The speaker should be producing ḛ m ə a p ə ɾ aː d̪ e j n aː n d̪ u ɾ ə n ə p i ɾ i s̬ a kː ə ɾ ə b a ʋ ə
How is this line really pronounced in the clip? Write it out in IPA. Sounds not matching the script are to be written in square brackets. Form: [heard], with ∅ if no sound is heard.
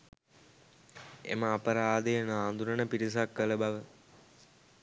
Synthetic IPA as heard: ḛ m ə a p ə ɾ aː d̪ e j n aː n d̪ u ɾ ə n ə p i ɾ i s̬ a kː ə [l] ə b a ʋ ə